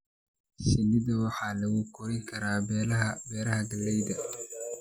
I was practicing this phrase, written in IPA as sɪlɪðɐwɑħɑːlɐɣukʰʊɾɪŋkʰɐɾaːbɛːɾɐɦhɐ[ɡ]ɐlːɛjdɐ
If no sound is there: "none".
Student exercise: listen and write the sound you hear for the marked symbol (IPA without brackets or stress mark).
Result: ɡ